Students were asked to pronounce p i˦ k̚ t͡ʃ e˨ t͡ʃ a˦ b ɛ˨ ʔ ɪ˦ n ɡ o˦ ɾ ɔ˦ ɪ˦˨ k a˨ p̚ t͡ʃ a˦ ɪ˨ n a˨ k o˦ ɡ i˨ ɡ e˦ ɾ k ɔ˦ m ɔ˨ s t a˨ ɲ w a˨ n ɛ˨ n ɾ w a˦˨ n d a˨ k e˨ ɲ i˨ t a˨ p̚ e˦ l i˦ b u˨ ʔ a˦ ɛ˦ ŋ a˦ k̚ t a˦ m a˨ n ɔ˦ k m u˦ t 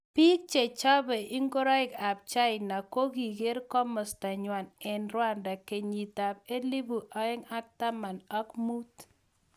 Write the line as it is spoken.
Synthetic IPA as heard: p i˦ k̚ t͡ʃ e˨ t͡ʃ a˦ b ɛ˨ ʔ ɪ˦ ŋ ɡ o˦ ɾ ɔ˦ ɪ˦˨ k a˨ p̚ t͡ʃ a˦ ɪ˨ n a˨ k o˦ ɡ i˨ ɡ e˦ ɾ k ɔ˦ m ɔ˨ s t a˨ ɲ w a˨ n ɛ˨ n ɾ w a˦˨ n d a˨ k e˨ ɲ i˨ t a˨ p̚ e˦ l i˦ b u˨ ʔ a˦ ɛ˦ ŋ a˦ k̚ t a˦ m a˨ n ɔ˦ k m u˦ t

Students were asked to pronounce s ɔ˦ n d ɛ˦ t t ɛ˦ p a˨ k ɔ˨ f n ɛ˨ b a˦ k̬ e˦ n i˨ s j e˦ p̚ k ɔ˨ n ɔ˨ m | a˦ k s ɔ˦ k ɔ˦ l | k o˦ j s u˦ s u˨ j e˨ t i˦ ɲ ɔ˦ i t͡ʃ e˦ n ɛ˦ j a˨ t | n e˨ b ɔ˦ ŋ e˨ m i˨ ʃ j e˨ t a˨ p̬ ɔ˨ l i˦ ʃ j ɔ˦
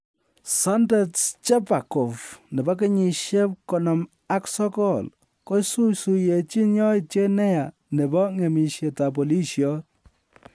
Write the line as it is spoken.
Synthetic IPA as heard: s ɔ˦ n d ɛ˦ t t͡ʃ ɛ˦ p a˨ k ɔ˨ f n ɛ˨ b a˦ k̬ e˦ ɲ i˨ ʃ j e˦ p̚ k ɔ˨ n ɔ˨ m | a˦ k s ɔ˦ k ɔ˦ l | k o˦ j s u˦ s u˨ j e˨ t͡ʃ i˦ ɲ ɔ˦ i t͡ʃ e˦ n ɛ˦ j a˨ | n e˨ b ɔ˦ ŋ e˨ m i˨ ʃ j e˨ t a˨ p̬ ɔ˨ l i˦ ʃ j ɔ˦

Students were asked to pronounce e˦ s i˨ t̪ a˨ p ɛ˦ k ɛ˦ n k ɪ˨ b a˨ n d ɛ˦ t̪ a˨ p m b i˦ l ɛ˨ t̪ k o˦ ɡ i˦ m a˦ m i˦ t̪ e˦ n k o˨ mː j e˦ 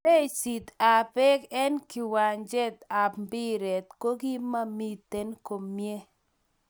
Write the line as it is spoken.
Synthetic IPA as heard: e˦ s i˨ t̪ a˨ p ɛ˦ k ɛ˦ n k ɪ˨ w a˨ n d͡ʒ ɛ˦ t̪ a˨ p m b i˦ ɾ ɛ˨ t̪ k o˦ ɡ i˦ m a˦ m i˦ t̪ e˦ n k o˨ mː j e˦

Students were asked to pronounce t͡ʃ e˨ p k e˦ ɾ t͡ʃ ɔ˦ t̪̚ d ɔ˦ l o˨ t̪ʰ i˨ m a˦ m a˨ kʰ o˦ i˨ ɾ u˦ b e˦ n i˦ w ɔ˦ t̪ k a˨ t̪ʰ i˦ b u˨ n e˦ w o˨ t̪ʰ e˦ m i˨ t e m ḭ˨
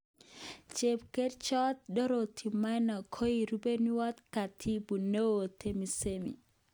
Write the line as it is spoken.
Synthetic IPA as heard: t͡ʃ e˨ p k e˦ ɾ t͡ʃ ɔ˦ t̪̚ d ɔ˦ ɾ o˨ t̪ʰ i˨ m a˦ n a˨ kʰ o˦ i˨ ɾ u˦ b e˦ n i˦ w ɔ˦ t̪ k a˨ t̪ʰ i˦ b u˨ n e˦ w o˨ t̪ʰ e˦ m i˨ s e m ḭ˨

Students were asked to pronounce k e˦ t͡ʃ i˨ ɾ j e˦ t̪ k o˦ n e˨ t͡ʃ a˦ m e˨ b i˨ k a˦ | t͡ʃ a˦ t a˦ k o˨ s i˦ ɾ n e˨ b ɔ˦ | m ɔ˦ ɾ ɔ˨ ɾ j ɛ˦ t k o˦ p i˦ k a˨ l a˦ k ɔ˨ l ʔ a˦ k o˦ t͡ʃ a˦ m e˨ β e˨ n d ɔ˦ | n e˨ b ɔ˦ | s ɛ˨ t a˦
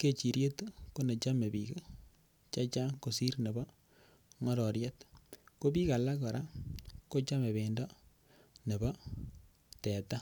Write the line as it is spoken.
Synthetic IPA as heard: k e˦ t͡ʃ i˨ ɾ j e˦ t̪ k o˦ n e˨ t͡ʃ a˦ m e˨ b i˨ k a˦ | t͡ʃ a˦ t͡ʃ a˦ k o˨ s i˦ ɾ n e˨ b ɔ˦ | ŋ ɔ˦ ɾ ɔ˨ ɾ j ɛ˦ t k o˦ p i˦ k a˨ l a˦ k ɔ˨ ɾ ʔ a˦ k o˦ t͡ʃ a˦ m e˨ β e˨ n d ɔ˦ | n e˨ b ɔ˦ | t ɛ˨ t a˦

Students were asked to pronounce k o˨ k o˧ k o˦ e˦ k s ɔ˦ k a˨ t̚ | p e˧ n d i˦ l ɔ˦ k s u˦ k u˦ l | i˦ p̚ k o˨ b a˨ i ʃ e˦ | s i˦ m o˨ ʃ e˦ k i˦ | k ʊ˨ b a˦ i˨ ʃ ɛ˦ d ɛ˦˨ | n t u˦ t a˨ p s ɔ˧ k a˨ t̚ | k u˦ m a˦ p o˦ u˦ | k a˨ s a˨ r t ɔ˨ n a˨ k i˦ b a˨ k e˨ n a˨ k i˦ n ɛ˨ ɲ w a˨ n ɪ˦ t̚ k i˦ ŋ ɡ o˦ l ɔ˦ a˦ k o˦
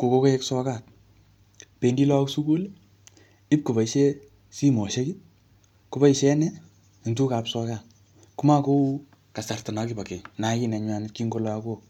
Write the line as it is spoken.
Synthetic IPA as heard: k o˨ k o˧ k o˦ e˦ k s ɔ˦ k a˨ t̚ | p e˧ n d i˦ l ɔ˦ k s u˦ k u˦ l | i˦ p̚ k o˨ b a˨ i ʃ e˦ | s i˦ m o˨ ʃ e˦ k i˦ | k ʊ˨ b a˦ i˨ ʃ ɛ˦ n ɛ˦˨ | n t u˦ k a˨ p s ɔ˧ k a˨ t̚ | k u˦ m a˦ k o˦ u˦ | k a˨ s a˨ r t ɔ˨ n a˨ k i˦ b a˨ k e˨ n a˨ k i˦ n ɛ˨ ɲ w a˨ n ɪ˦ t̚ k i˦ ŋ ɡ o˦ l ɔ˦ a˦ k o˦

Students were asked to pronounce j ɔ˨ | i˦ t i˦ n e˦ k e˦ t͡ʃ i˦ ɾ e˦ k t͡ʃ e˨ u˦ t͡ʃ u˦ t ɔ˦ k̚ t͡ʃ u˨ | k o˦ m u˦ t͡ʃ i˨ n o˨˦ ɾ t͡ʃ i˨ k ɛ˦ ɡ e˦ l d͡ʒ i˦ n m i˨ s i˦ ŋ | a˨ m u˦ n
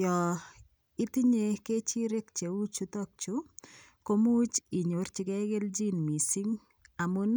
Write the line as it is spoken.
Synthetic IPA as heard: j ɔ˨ | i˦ t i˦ ɲ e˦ k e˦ t͡ʃ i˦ ɾ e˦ k t͡ʃ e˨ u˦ t͡ʃ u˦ t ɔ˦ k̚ t͡ʃ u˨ | k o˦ m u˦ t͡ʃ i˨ ɲ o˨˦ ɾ t͡ʃ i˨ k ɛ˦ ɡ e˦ l d͡ʒ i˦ n m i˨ s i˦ ŋ | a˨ m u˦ n

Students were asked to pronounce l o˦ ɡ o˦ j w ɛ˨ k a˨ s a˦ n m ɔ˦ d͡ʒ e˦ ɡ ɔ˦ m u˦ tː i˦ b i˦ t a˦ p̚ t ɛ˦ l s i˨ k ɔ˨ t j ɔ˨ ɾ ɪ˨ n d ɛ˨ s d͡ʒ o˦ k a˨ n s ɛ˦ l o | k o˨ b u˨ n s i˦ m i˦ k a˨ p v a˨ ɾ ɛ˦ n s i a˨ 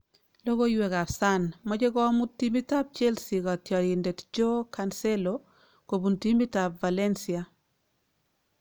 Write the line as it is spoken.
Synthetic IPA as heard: l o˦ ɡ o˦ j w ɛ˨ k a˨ s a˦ n m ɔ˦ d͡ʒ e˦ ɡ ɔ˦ m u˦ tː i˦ m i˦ t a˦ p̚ t͡ʃ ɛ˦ l s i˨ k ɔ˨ t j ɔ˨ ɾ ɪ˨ n d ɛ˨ t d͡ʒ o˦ k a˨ n s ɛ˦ l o | k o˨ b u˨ n t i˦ m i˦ t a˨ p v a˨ l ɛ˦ n s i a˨

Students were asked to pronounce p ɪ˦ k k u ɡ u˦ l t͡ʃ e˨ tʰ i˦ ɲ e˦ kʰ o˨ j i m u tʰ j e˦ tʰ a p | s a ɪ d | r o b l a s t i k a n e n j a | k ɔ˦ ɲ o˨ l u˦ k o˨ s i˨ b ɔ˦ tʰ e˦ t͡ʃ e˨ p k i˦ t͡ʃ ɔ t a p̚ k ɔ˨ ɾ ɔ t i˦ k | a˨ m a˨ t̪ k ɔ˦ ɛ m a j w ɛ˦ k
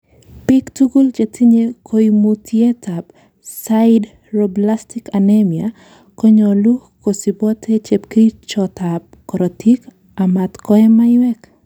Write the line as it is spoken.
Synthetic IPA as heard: p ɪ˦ k t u ɡ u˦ l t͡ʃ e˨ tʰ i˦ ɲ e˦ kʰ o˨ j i m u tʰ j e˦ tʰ a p | s a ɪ d | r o b l a s t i k a n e m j a | k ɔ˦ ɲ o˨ l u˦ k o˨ s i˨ b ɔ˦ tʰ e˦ t͡ʃ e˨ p k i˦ t͡ʃ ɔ t a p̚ k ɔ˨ ɾ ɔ t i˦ k | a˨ m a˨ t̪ k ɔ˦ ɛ m a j w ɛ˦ k

